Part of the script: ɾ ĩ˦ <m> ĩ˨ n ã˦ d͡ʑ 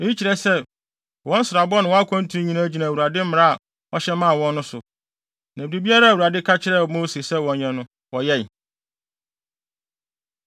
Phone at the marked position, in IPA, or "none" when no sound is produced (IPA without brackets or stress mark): ɲ